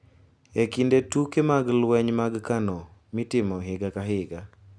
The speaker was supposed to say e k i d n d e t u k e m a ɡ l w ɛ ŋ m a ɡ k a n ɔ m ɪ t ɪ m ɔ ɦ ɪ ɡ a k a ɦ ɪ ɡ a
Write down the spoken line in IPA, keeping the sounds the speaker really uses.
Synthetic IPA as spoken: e k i n d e t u k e m a ɡ l w ɛ ɲ m a ɡ k a n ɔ m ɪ t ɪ m ɔ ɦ ɪ ɡ a k a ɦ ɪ ɡ a